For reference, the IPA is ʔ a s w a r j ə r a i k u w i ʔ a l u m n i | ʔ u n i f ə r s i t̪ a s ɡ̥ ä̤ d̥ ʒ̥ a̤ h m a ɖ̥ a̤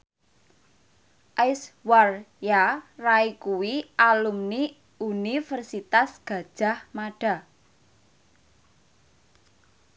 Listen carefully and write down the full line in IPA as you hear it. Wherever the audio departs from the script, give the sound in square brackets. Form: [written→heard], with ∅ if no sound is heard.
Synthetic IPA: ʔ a s w a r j [ə→a] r a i k u w i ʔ a l u m n i | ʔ u n i f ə r s i t̪ a s ɡ̥ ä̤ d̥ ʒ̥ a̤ h m a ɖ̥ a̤

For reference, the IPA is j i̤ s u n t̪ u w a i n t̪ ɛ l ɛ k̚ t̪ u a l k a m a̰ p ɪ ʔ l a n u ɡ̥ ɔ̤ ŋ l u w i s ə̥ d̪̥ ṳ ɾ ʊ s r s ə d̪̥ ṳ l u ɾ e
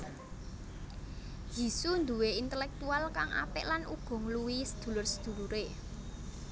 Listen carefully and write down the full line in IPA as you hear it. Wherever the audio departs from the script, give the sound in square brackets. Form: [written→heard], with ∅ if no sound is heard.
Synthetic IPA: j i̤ s u n [t̪→d̪] u w [a→e] i n t̪ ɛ l ɛ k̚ t̪ u a l k a [m→ŋ] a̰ p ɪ ʔ l a n u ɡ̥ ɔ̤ ŋ l u w i s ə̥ d̪̥ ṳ [ɾ→l] ʊ [s→∅] r s ə d̪̥ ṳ l u ɾ e

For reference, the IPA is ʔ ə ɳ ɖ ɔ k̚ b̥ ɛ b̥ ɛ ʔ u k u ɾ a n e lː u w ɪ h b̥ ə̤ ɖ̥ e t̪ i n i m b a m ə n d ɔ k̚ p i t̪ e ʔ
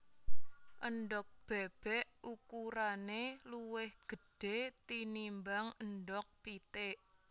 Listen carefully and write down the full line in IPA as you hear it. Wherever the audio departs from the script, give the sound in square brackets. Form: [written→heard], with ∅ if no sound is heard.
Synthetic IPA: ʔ ə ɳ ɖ ɔ k̚ b̥ ɛ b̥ ɛ ʔ u k u ɾ a n e [lː→l] u w ɪ h [b̥→ɡ̥] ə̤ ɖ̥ e t̪ i n i m b a [m→ŋ] ə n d ɔ k̚ p i t̪ e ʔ

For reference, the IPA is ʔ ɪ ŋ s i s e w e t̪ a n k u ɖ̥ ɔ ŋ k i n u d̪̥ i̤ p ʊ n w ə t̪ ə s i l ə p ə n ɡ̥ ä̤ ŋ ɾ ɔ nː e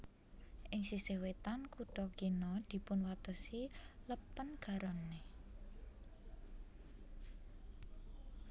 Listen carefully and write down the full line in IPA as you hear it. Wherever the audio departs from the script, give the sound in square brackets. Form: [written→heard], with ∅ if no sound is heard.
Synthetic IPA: ʔ ɪ ŋ s i s e w e t̪ a n k u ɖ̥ ɔ [ŋ→∅] k i n [u→ɔ] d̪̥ i̤ p ʊ n w [ə→a] t̪ ə s i l ə p ə n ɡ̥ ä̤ [ŋ→∅] ɾ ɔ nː e

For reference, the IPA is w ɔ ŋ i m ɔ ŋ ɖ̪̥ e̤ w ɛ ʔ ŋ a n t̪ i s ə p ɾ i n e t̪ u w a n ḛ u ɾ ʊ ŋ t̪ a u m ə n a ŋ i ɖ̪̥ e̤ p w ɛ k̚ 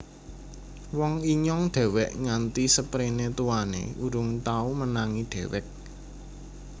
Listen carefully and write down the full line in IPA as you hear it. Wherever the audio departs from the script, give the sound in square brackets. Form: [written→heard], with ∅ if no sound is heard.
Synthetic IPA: w ɔ ŋ i [m→ɲ] ɔ ŋ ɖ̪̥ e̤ w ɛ ʔ ŋ a n t̪ i s ə p ɾ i n e t̪ u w a n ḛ u ɾ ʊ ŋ t̪ a u m ə n a ŋ i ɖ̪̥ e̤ [p→∅] w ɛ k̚

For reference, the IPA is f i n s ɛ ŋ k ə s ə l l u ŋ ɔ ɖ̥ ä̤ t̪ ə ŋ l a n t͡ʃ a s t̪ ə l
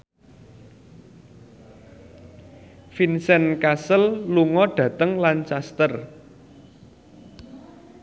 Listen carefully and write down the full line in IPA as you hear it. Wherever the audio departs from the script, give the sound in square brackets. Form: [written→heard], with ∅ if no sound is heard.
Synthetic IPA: f i n s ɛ [ŋ→n] k [ə→a] s ə l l u ŋ ɔ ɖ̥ ä̤ t̪ ə ŋ l a n t͡ʃ a s t̪ ə [l→r]

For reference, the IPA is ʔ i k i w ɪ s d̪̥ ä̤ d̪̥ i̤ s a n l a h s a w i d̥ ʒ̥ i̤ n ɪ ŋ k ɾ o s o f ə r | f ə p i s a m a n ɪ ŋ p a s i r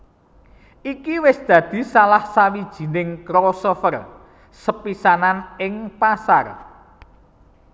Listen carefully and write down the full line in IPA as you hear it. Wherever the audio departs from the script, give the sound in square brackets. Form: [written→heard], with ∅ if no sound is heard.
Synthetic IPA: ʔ i k i w ɪ s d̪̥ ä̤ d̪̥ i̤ s a [n→∅] l a h s a w i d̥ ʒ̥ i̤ n ɪ ŋ k ɾ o s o f ə r | [f→s] ə p i s a [m→n] a n ɪ ŋ p a s [i→a] r

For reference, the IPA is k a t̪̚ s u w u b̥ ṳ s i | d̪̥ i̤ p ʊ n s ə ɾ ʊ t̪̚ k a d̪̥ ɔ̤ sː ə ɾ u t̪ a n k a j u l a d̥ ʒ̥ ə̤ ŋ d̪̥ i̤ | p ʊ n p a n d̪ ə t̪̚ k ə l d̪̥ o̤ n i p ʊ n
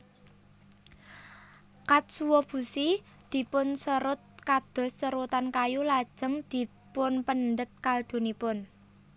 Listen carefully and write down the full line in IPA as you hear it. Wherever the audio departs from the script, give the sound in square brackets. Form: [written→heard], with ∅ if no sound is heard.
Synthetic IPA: k a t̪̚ s u w [u→ɔ] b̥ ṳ s i | d̪̥ i̤ p ʊ n s ə ɾ ʊ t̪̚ k a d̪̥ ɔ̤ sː ə ɾ u t̪ a n k a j u l a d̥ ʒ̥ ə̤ ŋ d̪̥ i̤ | p ʊ n p [a→ə] n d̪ ə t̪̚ k [ə→a] l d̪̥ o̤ n i p ʊ n

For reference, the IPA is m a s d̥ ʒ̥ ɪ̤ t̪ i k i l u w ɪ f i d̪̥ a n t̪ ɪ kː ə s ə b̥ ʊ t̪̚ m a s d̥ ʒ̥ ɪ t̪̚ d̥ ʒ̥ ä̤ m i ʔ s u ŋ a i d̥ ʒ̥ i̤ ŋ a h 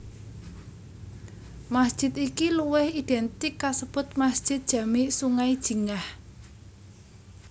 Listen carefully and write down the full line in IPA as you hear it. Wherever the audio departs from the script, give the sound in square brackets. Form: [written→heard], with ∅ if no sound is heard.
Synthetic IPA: m a s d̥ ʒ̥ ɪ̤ t̪ i k i l u w ɪ [f→h] i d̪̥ [a→ɛ] n t̪ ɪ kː [ə→a] s ə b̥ ʊ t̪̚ m a s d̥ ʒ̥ ɪ t̪̚ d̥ ʒ̥ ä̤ m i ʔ s u ŋ a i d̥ ʒ̥ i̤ ŋ a h

